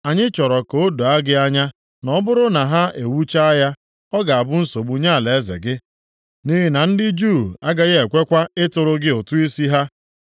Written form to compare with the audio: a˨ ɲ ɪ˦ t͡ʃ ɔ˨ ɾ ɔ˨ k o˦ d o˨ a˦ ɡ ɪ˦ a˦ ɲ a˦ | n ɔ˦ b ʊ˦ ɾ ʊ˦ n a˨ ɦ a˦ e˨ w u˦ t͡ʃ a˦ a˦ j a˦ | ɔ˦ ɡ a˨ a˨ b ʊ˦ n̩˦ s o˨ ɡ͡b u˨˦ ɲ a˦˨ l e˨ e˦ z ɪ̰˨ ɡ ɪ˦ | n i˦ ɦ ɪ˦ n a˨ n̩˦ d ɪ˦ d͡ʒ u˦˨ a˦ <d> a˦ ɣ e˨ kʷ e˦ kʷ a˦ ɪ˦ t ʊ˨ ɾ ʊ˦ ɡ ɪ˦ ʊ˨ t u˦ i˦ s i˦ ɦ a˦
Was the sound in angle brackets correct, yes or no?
no